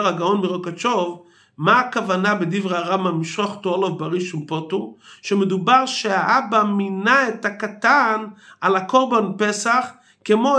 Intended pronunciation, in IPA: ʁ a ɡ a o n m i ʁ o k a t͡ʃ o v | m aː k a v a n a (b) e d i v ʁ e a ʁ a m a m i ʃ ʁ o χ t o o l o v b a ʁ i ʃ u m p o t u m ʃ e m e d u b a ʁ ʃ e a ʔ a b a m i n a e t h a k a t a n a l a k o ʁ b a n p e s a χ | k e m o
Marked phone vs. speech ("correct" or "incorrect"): correct